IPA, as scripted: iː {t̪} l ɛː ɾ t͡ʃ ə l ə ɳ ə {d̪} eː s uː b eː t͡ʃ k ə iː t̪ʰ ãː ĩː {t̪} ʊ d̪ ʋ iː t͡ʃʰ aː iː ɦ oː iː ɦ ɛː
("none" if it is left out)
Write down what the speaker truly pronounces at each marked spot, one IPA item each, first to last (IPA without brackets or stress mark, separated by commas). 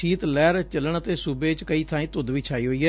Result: t̪, t̪, t̪